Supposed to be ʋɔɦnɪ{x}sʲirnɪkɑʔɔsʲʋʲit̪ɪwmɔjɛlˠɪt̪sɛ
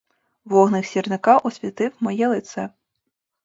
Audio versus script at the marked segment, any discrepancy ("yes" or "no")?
no